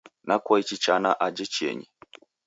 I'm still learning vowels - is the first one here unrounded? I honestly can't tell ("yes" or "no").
yes